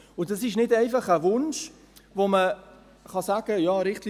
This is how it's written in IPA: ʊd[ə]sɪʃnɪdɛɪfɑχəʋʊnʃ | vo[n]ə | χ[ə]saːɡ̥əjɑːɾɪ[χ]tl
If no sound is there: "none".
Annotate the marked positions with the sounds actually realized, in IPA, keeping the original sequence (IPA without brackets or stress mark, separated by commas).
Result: ɑ, m, ɑ, χ